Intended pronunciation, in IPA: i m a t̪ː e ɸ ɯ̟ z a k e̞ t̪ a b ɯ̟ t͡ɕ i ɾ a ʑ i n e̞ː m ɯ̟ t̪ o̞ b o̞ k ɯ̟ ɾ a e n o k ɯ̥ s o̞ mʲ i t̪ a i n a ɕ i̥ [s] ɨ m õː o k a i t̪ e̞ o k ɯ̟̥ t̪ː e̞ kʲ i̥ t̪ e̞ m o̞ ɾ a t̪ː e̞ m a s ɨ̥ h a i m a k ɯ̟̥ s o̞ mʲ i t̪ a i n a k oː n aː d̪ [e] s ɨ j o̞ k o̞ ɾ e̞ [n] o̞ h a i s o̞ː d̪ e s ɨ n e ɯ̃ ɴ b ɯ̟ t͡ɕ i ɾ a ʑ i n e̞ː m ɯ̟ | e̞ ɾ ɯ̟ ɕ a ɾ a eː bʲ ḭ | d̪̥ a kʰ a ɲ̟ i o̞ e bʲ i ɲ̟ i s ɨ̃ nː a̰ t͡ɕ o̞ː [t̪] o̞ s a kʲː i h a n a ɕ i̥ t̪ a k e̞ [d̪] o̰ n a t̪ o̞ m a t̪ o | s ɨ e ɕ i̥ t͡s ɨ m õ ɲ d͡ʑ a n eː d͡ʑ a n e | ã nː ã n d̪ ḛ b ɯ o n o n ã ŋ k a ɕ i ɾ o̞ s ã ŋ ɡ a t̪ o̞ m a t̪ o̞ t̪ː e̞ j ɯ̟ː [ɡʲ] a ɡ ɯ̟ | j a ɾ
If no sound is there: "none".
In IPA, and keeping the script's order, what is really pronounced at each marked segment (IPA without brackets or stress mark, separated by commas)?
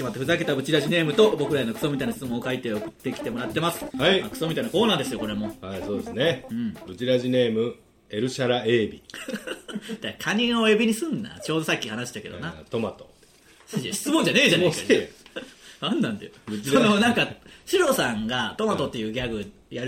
t͡s, e, m, d̪, d̪, ɡʲ